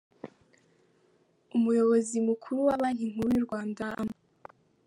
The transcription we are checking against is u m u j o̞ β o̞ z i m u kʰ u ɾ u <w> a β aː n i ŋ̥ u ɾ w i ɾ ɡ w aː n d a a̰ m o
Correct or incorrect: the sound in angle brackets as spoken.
correct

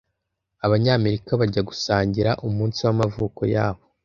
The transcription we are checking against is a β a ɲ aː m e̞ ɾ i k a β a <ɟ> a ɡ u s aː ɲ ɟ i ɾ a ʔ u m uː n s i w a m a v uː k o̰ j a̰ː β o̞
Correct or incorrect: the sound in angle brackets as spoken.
correct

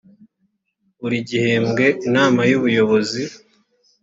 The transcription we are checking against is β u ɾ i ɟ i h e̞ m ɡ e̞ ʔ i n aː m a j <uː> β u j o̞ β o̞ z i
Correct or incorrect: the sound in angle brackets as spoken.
incorrect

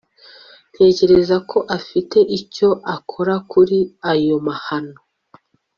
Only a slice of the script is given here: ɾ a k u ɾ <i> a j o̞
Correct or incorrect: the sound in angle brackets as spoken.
correct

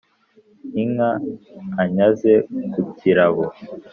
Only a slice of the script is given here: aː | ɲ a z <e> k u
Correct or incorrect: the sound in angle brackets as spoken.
correct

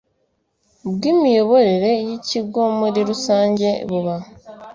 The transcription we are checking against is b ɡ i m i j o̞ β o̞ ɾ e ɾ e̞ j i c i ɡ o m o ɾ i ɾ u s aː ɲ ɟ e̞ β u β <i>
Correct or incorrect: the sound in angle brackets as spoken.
incorrect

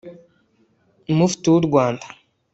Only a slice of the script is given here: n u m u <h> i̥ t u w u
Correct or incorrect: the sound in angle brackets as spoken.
incorrect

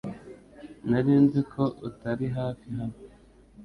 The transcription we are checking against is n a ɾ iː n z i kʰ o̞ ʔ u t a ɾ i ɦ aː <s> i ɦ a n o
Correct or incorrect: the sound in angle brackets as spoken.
incorrect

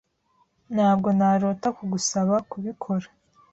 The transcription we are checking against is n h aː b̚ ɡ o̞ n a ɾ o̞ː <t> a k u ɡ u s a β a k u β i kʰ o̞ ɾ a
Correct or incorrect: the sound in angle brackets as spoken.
correct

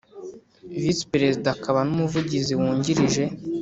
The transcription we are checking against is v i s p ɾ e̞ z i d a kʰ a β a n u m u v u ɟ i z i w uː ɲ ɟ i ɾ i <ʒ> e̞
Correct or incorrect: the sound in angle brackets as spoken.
correct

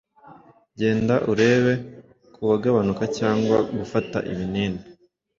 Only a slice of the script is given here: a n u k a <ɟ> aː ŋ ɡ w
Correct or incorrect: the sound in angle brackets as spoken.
incorrect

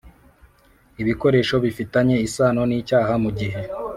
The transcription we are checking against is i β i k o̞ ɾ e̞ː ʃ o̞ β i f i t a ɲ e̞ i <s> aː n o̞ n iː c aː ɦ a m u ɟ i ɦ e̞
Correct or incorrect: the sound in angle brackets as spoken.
correct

